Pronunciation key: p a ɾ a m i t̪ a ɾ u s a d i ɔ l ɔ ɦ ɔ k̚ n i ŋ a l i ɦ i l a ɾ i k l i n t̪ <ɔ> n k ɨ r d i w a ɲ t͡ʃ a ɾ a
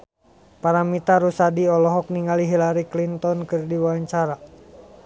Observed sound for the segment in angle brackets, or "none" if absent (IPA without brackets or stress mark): ɔ